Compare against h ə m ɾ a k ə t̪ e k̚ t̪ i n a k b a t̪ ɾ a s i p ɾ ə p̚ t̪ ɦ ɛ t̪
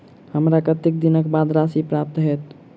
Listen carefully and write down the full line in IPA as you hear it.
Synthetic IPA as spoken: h ə m ɾ a k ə t̪ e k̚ d̪ i n ə k b a d̪ ɾ a s i p ɾ a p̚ t̪ ɦ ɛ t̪